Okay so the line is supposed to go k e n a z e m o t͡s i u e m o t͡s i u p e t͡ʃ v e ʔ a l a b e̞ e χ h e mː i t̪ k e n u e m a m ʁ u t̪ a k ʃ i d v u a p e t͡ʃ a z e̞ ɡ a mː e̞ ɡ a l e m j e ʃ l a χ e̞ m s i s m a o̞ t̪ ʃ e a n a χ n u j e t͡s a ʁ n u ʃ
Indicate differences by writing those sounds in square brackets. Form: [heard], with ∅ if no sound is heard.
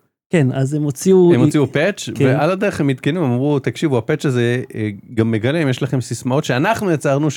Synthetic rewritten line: k e n a z e m o t͡s i u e m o t͡s i u p e t͡ʃ v e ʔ a l a [d] e̞ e χ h e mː i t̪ k e n u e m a m ʁ u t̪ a k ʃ i [∅] v u a p e t͡ʃ a z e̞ ɡ a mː e̞ ɡ a l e m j e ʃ l a χ e̞ m s i s m a o̞ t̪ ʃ e a n a χ n u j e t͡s a ʁ n u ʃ